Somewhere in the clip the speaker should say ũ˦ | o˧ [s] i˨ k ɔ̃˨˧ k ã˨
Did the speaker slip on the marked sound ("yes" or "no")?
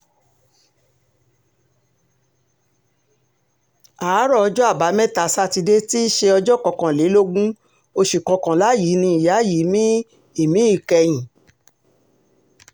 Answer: yes